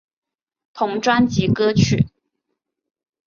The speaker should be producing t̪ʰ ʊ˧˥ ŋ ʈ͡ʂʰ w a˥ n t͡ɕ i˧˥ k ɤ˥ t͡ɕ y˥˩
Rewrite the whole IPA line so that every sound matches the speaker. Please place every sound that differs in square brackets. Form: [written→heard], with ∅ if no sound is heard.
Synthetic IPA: t̪ʰ ʊ˧˥ ŋ [ʈ͡ʂʰ→ʈ͡ʂ] w a˥ n t͡ɕ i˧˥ k ɤ˥ [t͡ɕ→t͡ɕʰ] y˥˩